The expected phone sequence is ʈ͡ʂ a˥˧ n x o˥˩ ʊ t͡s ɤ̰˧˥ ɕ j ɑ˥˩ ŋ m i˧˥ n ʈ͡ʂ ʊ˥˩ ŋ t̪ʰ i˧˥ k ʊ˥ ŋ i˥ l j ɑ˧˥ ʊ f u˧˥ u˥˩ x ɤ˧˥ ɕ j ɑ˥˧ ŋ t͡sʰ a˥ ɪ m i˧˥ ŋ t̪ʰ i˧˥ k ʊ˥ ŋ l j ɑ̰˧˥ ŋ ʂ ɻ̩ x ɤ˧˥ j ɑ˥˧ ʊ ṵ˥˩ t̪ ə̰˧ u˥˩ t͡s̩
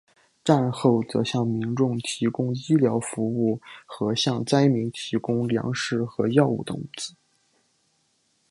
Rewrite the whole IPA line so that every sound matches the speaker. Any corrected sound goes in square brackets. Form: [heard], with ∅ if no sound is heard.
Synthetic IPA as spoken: ʈ͡ʂ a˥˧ n x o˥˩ ʊ t͡s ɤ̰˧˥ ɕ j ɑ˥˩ ŋ m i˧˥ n ʈ͡ʂ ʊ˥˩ ŋ t̪ʰ i˧˥ k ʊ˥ ŋ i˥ l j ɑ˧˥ ʊ f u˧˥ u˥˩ x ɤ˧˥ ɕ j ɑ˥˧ ŋ [t͡s] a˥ ɪ m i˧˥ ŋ t̪ʰ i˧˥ k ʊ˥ ŋ l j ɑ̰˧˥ ŋ ʂ ɻ̩ x ɤ˧˥ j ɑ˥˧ ʊ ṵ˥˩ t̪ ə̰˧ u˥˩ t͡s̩